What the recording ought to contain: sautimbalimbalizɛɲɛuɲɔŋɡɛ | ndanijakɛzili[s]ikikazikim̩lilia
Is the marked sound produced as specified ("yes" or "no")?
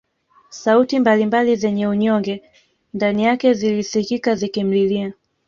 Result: yes